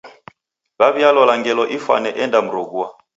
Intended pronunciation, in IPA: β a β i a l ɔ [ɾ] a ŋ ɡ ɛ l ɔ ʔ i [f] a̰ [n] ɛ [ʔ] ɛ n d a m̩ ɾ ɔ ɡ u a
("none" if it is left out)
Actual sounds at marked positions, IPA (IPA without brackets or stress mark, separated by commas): l, f, n, ʔ